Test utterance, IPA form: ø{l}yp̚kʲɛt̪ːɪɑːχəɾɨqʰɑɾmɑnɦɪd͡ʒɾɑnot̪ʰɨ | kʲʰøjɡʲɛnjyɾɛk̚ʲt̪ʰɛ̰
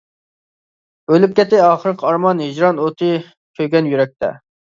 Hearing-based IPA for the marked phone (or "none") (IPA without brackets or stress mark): l